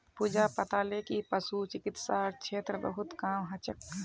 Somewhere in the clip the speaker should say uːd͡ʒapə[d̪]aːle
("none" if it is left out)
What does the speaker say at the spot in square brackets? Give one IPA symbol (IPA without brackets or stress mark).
t̪